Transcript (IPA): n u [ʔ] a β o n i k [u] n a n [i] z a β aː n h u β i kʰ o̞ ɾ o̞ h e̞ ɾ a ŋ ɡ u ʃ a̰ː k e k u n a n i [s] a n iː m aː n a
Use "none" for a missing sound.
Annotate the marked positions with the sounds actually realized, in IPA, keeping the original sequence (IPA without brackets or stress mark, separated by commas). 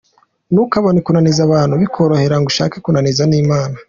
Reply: k, u, i, z